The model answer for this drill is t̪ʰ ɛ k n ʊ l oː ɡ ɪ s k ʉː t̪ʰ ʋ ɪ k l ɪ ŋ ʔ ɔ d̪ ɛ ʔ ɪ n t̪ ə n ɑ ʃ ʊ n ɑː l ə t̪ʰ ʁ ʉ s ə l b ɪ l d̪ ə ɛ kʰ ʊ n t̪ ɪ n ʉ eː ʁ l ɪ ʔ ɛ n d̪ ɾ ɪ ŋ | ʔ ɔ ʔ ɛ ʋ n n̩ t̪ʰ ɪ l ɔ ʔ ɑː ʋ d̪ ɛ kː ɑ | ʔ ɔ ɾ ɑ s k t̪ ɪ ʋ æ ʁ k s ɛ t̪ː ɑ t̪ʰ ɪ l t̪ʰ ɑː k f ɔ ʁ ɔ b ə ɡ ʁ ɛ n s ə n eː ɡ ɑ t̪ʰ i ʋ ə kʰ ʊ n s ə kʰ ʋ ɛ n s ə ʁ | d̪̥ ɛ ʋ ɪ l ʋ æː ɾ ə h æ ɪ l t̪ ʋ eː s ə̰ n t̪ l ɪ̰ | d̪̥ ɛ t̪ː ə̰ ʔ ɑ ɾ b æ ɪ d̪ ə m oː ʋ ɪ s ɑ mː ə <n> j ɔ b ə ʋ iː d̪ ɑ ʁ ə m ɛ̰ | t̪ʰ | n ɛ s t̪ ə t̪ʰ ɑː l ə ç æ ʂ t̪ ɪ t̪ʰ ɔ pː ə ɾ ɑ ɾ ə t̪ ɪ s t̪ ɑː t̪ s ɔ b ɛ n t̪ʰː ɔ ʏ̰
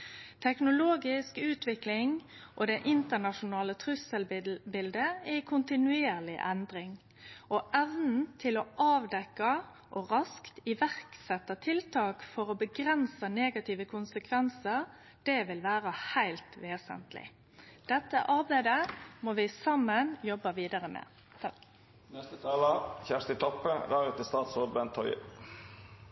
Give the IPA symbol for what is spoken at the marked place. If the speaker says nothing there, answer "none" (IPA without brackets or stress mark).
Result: n